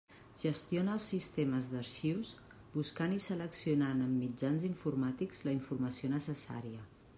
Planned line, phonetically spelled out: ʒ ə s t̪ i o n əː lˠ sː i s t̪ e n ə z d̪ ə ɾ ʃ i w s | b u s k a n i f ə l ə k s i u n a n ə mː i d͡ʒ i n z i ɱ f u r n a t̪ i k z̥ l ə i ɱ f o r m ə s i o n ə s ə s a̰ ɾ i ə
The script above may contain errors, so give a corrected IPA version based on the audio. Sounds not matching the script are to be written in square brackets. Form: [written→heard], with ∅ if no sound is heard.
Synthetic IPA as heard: ʒ ə s t̪ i o n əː lˠ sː i s t̪ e [n→m] ə z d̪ ə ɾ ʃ i w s | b u s k a n i [f→s] ə l ə k s i u n a n ə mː i d͡ʒ [i→a] n z i ɱ f u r [n→m] a t̪ i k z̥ l ə i ɱ f [o→u] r m ə s i o n ə s ə s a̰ ɾ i ə

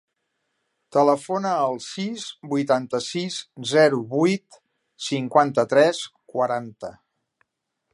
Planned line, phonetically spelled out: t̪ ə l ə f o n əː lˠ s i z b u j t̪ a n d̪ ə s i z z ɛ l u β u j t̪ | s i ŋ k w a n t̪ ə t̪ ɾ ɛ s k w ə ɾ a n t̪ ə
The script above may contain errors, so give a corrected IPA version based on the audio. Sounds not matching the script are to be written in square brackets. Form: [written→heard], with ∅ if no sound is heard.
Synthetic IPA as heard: t̪ ə l ə f o n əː lˠ s i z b u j t̪ a n [d̪→t̪] ə s i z z ɛ [l→ɾ] u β u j t̪ | s i ŋ k w a n t̪ ə t̪ ɾ ɛ s k w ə ɾ a n t̪ ə

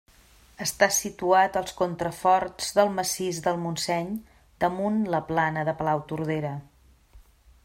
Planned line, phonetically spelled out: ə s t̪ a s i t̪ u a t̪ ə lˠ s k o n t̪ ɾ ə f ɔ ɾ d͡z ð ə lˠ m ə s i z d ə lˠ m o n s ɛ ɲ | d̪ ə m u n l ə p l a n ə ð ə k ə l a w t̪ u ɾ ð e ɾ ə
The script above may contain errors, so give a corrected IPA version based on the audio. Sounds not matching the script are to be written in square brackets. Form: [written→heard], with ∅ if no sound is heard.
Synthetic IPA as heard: ə s t̪ a s i t̪ u a t̪ ə lˠ s k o n t̪ ɾ ə f ɔ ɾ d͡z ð ə lˠ m ə s i z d ə lˠ m [o→u] n s ɛ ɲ | d̪ ə m u n l ə p l a n ə ð ə [k→p] ə l a w t̪ u ɾ ð e ɾ ə

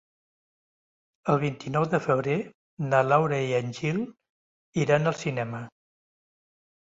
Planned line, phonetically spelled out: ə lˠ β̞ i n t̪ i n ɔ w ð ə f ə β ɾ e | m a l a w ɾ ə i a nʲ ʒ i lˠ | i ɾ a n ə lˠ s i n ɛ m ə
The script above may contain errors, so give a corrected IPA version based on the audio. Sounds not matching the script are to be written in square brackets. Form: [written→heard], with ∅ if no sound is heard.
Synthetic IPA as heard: ə lˠ β̞ i n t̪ i n ɔ w ð ə f ə β ɾ e | [m→n] a l a w ɾ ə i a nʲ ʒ i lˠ | i ɾ a n ə lˠ s i n ɛ m ə

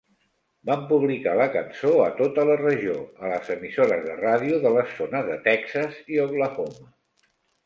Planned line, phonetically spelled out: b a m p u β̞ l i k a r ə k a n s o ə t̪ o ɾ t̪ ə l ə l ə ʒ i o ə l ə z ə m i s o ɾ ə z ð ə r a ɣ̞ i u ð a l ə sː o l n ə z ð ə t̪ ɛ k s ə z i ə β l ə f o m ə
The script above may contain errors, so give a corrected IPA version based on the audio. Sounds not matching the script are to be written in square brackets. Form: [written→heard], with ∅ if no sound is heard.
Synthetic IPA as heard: b a m p u β̞ l i k a [r→l] ə k [a→ə] n s o ə t̪ o [ɾ→∅] t̪ ə l ə [l→r] ə ʒ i o ə l ə z ə m i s o ɾ ə z ð ə r a [ɣ̞→ð̞] i u ð [a→ə] l ə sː o [l→∅] n ə z ð ə t̪ ɛ k s ə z i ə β l ə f o m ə

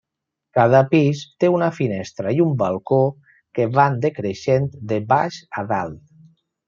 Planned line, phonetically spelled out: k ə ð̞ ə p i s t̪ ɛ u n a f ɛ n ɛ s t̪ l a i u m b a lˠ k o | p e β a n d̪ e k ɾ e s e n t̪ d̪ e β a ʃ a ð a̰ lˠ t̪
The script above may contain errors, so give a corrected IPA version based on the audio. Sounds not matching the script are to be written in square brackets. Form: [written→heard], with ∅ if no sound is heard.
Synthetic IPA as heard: k [ə→a] ð̞ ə p i s t̪ [ɛ→e] u n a f [ɛ→i] n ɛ s t̪ [l→ɾ] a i u m b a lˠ k o | [p→k] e β a n d̪ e k ɾ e [s→ʃ] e n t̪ d̪ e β a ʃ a ð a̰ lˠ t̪

